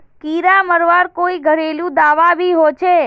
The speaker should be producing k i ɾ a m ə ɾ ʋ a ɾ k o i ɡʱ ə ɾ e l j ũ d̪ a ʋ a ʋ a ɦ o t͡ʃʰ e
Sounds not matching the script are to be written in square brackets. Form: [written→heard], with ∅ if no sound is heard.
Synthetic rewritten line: k i ɾ a m ə ɾ ʋ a ɾ k o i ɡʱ ə ɾ e l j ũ d̪ a ʋ a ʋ [a→i] ɦ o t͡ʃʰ e